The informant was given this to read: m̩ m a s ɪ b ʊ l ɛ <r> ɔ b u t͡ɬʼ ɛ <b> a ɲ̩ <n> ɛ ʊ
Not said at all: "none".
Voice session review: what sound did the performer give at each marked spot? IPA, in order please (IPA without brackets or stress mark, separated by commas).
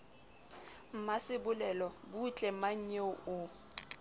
l, m, ɲ